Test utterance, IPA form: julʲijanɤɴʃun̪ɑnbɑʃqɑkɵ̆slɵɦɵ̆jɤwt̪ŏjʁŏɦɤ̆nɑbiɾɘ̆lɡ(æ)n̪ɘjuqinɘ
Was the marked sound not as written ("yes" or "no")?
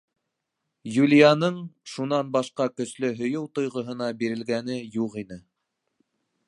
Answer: no